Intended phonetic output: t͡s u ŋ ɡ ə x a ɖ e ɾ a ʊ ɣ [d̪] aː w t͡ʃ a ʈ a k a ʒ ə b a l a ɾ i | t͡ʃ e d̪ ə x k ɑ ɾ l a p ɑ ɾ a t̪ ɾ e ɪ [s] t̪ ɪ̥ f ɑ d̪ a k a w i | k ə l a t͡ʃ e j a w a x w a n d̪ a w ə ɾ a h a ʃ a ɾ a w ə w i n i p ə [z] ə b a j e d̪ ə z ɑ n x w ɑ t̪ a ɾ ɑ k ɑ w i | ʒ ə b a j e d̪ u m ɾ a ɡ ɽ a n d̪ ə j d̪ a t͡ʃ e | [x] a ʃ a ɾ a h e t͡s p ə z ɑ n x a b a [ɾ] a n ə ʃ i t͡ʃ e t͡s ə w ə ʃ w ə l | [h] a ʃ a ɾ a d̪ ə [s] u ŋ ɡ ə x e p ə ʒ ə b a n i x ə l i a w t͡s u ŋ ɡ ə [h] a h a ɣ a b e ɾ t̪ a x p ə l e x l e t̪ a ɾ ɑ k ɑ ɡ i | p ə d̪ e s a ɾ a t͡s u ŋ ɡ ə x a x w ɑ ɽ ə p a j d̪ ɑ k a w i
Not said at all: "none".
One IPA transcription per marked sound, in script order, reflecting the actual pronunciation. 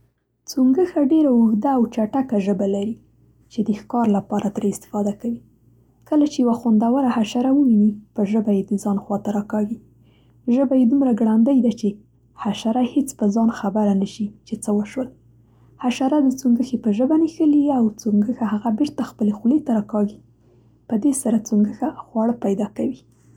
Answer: d̪, s, ʒ, h, ɾ, h, t͡s, x

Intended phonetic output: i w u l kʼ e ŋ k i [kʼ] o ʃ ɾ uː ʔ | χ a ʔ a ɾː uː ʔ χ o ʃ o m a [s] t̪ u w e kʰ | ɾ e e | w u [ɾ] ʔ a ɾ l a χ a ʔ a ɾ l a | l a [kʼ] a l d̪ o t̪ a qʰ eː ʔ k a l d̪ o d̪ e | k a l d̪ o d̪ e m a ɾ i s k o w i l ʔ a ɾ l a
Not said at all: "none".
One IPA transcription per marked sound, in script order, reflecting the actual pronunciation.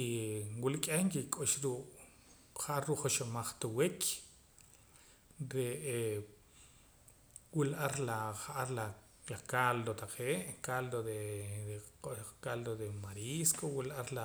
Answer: kʼ, χ, l, k

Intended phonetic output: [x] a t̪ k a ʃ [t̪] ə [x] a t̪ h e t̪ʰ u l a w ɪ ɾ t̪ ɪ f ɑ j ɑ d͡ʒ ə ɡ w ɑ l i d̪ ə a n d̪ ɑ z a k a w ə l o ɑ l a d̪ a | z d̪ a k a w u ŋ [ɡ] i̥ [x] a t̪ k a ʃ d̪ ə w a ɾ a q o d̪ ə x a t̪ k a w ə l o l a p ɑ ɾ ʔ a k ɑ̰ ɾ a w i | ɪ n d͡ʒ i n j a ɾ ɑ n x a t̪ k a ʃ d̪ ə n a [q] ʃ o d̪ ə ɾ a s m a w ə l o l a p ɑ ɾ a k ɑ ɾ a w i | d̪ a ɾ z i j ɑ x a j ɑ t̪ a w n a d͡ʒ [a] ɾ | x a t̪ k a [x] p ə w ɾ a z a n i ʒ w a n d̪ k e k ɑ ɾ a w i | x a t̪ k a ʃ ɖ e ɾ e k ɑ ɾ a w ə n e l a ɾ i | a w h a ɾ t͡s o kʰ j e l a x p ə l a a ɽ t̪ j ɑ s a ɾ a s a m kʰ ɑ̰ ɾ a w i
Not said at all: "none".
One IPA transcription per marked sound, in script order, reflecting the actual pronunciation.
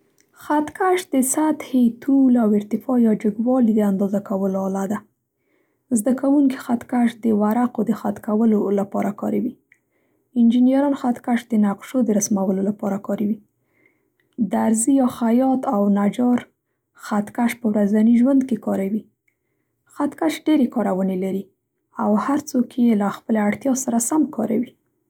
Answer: x, d̪, s, k, x, q, ɑ, ʃ

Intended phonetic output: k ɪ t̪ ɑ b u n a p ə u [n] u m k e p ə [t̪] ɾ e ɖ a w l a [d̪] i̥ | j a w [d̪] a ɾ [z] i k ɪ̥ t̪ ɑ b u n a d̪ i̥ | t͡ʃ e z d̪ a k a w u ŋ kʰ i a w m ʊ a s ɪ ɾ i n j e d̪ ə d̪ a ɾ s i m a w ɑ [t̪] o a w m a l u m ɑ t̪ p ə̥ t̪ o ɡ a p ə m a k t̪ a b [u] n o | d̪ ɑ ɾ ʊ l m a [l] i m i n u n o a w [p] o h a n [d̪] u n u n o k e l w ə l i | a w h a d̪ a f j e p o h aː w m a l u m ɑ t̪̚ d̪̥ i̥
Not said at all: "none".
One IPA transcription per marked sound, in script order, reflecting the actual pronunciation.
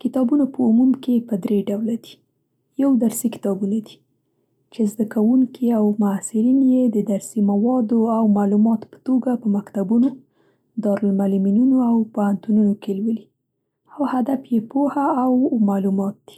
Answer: m, d̪, d̪, d̪, s, d̪, u, l, p, t̪

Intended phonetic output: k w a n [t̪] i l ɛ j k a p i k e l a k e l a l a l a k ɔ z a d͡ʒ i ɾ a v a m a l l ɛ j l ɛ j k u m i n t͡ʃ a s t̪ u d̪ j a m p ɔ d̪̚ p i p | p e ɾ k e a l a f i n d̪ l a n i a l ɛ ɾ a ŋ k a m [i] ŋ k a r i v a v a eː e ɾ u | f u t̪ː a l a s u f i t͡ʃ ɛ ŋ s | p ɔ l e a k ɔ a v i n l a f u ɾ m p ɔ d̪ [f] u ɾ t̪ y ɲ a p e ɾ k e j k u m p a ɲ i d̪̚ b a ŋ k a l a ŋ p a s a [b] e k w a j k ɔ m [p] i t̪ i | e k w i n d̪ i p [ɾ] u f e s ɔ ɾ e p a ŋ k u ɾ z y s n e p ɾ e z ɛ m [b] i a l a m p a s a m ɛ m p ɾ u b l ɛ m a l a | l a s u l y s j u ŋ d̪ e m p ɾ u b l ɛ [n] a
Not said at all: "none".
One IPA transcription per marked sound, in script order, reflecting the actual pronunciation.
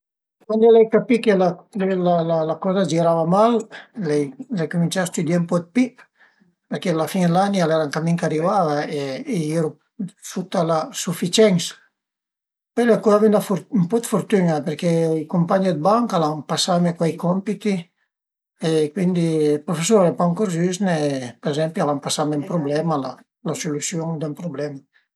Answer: d̪, i, f, m, p, ɾ, p, m

